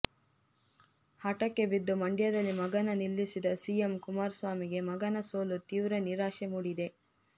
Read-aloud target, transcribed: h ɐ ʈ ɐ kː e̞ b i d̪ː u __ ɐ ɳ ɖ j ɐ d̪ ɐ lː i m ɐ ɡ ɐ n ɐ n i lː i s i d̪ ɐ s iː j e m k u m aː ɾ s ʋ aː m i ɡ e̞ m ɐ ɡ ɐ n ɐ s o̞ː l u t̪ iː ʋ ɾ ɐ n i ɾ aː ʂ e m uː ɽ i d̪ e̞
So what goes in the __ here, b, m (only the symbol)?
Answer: m